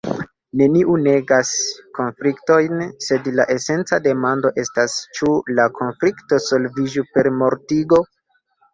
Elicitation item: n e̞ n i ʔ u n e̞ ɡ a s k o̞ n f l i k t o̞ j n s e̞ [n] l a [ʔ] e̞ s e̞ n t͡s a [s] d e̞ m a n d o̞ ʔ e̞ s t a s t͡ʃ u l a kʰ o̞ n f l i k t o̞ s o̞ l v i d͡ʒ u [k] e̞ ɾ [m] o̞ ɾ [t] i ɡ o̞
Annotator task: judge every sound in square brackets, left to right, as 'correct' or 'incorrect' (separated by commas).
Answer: incorrect, correct, incorrect, incorrect, correct, correct